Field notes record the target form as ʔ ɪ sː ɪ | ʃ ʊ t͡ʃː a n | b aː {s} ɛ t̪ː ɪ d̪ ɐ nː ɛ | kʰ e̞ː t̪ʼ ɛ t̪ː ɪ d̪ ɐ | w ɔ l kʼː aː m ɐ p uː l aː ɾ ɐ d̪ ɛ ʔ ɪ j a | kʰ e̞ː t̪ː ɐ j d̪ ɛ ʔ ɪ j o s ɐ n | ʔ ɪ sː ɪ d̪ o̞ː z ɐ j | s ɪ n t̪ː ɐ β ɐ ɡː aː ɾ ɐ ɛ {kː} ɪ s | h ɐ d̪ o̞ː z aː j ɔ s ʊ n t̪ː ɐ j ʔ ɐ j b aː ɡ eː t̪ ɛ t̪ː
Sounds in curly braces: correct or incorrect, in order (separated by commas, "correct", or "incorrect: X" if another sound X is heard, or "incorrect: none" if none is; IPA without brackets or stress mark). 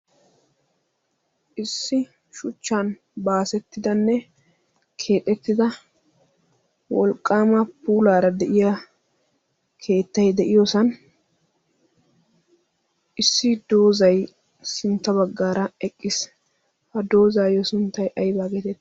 correct, incorrect: kʼː